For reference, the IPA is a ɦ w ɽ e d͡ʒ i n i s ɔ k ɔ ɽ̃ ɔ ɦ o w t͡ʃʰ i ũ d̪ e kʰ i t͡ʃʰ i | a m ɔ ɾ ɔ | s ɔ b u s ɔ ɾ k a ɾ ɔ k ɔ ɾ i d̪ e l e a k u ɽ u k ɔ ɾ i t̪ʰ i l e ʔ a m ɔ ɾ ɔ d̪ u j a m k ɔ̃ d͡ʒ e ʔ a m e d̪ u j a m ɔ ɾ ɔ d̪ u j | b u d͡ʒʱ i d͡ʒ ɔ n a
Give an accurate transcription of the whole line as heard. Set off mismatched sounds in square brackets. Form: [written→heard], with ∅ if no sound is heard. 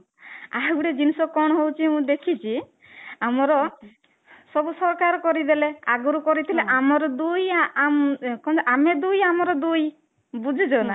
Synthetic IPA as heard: a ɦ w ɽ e d͡ʒ i n i s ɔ k ɔ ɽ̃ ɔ ɦ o w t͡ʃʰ i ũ d̪ e kʰ i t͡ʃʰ i | a m ɔ ɾ ɔ | s ɔ b u s ɔ ɾ k a ɾ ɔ k ɔ ɾ i d̪ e l e a [k→ɡ] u [ɽ→ɾ] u k ɔ ɾ i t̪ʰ i l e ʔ a m ɔ ɾ ɔ d̪ u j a m k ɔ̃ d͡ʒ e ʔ a m e d̪ u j a m ɔ ɾ ɔ d̪ u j | b u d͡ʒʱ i d͡ʒ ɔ n a